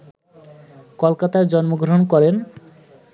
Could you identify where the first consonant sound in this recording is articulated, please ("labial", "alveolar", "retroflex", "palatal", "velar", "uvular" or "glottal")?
velar